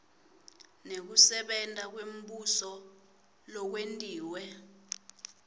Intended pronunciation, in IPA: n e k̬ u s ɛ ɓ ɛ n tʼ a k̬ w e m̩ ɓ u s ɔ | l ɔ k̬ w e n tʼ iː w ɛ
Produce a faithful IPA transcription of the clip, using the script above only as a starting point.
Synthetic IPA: n e k̬ u s ɛ ɓ ɛ n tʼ a k̬ w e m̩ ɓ u s ɔ | l ɔ k̬ w e n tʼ iː w ɛ

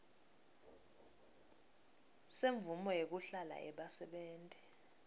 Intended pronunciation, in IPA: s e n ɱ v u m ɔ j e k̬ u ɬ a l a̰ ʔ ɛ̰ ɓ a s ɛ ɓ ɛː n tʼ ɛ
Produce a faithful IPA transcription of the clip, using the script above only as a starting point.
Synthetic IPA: s e ɱ v u m ɔ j e k̬ u ɬ a l a̰ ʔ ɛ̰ ɓ a s ɛ ɓ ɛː n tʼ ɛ

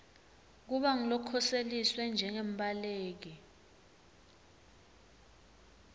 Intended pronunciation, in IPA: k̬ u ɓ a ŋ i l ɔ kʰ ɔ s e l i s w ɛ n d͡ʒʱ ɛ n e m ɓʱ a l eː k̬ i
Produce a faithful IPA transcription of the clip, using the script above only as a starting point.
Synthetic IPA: k̬ u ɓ a ŋ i l ɔ kʰ ɔ s e l i s w ɛ n d͡ʒʱ ɛ ŋ e m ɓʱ a l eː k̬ i

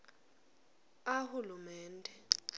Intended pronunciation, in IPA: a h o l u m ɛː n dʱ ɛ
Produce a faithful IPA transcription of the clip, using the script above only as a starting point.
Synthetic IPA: a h u l u m ɛː n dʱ ɛ

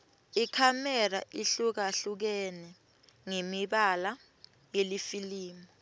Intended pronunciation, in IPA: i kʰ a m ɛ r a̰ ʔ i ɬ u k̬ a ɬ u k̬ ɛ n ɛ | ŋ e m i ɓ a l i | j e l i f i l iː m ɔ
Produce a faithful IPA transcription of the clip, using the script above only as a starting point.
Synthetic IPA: i kʰ a m ɛ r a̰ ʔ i ɬ u k̬ a ɬ u k̬ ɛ n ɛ | ŋ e m i ɓ a l a | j e l i f i l iː m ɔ

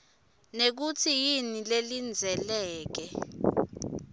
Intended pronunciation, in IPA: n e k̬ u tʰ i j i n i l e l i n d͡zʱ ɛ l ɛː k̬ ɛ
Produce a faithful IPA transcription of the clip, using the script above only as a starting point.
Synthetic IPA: n e k̬ u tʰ i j i n i l e l i n d͡zʱ ɛ l ɛː k̬ ɛ

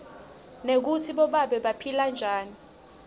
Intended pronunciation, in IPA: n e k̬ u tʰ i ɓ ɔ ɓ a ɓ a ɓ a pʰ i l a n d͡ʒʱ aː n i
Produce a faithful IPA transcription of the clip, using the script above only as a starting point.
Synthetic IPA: n e k̬ u tʰ i ɓ ɔ ɓ a ɓ ɛ ɓ a pʰ i l a n d͡ʒʱ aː n i

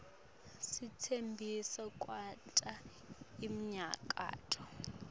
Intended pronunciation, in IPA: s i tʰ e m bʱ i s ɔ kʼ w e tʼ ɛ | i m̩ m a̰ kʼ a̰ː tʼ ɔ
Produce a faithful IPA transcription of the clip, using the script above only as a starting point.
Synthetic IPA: s i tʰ e m bʱ i s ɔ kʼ w a tʼ a | i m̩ ɲ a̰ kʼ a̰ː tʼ ɔ

